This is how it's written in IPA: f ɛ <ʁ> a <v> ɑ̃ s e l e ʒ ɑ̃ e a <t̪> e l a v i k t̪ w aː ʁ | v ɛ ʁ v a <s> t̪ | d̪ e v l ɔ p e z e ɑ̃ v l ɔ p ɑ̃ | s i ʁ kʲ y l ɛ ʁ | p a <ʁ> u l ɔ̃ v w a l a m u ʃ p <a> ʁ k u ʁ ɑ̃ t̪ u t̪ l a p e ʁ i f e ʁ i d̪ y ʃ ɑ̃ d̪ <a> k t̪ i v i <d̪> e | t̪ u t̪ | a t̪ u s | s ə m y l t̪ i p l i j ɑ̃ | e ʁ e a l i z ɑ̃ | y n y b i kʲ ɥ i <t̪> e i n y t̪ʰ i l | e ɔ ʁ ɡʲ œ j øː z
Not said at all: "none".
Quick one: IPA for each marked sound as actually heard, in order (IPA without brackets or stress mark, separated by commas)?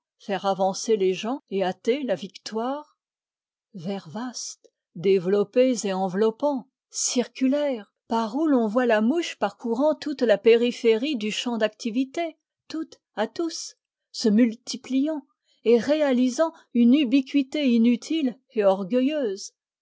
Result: ʁ, v, t̪, s, ʁ, a, a, t̪, t̪